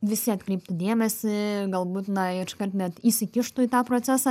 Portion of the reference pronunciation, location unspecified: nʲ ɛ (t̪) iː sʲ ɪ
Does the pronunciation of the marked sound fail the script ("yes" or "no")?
no